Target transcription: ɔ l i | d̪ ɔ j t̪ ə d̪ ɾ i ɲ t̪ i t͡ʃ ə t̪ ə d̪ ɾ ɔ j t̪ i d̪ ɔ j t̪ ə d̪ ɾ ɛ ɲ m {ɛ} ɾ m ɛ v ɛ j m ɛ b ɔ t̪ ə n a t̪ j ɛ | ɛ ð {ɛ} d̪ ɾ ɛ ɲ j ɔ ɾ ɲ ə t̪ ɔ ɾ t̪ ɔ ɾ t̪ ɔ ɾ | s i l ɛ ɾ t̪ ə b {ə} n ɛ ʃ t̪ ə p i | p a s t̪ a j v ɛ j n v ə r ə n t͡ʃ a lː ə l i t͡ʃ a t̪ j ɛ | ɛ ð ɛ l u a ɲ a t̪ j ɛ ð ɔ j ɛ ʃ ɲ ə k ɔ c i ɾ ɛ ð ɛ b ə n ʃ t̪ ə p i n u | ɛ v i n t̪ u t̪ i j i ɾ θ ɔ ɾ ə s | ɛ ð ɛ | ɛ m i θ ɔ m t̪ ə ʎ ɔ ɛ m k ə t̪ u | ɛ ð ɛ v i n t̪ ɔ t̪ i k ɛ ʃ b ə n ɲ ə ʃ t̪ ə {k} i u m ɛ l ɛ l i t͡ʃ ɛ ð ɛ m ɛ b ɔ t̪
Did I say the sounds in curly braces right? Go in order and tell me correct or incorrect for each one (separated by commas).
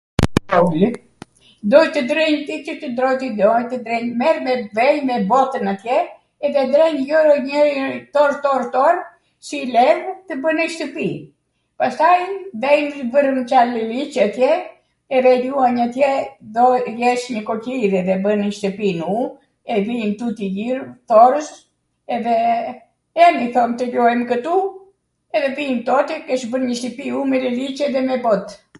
correct, correct, correct, incorrect